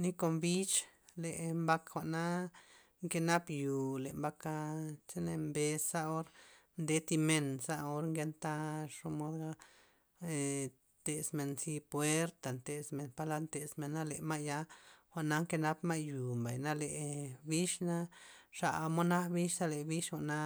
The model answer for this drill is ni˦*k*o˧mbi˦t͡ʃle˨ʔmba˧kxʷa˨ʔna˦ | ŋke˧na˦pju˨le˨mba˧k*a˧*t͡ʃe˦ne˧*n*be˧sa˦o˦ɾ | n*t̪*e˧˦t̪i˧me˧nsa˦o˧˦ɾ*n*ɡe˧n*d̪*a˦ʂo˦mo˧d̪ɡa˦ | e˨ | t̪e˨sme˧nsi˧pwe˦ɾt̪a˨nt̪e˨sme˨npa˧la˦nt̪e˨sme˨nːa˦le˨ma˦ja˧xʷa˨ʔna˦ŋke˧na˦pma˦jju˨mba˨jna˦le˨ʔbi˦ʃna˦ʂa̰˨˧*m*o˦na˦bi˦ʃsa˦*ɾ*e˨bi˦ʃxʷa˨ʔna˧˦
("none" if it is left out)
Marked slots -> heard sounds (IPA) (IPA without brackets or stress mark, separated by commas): k, a˧, m, d̪, ŋ, t̪, m, l